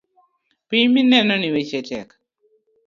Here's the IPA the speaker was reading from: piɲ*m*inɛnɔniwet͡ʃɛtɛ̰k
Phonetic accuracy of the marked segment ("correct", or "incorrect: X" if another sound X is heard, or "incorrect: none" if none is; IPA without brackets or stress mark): correct